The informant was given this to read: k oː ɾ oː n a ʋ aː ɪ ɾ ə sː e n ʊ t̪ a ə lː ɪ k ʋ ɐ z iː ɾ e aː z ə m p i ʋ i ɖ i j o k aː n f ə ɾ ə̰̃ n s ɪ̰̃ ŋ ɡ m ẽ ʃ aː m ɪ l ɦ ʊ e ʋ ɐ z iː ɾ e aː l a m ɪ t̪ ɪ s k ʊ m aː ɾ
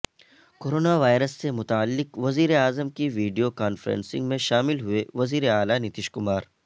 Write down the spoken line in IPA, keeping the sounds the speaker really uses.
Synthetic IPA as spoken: k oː ɾ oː n a ʋ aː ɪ ɾ ə sː e m ʊ t̪ a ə lː ɪ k ʋ ɐ z iː ɾ e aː z ə m k i ʋ iː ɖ i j o k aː n f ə ɾ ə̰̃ n s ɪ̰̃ ŋ ɡ m ẽ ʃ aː m ɪ l ɦ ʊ e ʋ ɐ z iː ɾ e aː l a n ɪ t̪ ɪ ʃ k ʊ m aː ɾ

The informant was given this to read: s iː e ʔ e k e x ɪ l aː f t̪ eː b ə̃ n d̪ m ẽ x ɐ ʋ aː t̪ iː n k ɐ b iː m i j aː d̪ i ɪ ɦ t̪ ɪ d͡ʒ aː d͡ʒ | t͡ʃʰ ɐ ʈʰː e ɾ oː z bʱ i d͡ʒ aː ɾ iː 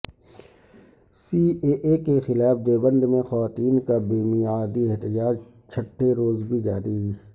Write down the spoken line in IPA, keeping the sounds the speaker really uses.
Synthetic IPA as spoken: s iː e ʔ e k e x ɪ l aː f d̪ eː b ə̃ n d̪ m ẽ x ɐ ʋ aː t̪ iː n k a b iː m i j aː d̪ i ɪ ɦ t̪ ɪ d͡ʒ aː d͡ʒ | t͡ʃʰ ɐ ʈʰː e ɾ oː z bʱ i d͡ʒ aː ɾ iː

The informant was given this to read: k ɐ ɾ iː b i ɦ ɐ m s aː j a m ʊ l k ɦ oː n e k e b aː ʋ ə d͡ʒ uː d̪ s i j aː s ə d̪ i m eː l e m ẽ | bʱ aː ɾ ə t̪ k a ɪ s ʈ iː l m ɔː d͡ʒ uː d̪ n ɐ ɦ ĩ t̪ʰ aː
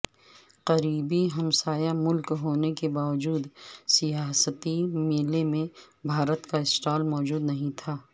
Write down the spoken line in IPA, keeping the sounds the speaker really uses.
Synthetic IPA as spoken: q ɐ ɾ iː b i ɦ ɐ m s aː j a m ʊ l k ɦ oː n e k e b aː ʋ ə d͡ʒ uː d̪ s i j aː s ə t̪ i m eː l e m ẽ | bʱ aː ɾ ə t̪ k a ɪ s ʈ aː l m ɔː d͡ʒ uː d̪ n ɐ ɦ ĩ t̪ʰ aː

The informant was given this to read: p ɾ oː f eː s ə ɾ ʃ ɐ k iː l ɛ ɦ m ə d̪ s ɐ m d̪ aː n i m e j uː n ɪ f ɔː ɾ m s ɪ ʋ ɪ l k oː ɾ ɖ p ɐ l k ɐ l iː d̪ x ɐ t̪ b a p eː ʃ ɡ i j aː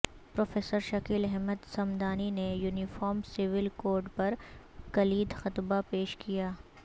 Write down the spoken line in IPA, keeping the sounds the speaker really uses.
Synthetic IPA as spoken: p ɾ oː f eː s ə ɾ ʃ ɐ k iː l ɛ ɦ m ə d̪ s ɐ m d̪ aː n i n e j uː n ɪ f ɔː ɾ m s ɪ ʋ ɪ l k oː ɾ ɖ p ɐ ɾ k ɐ l iː d̪ x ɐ t̪ b a p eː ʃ k i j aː

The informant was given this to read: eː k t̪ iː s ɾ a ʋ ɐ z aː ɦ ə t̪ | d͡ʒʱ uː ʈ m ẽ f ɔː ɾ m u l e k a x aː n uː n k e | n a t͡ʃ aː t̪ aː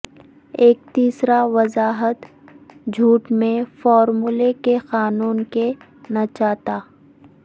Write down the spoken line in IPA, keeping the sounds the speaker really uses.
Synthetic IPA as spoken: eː k t̪ iː s ɾ a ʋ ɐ z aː ɦ ə t̪ | d͡ʒʱ uː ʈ m ẽ f ɔː ɾ m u l e k e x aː n uː n k e | n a t͡ʃ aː t̪ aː

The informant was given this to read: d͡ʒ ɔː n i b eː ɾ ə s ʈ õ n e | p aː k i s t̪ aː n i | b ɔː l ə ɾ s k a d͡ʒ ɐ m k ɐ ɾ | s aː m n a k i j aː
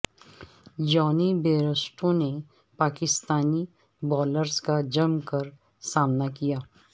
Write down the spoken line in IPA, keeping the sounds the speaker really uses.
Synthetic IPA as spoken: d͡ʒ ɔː n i b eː ɾ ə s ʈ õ n e | p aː k ɪ s t̪ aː n i | b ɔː l ə ɾ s k a d͡ʒ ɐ m k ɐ ɾ | s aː m n a k i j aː

